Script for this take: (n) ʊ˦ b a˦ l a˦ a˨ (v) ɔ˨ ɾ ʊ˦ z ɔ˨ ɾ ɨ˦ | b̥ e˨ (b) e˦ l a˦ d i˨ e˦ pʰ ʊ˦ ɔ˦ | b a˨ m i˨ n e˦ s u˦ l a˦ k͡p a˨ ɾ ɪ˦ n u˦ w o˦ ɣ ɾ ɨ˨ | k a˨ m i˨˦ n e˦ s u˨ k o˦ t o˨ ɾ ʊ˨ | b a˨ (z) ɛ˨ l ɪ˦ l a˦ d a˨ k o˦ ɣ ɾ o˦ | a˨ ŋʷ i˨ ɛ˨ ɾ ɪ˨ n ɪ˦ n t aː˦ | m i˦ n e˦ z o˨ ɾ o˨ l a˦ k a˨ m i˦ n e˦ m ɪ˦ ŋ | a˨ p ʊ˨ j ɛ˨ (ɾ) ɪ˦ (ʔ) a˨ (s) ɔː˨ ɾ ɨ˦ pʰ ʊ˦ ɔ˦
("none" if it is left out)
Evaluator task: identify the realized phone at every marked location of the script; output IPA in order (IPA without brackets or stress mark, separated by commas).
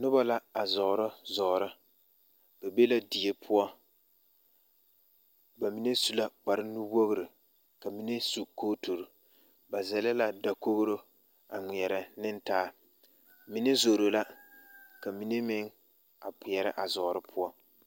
n, z, b, z, ɾ, ʔ, z